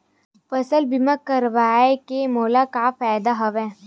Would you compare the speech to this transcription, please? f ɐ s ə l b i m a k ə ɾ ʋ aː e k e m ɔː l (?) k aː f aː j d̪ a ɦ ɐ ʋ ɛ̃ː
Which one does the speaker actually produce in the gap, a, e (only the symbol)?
a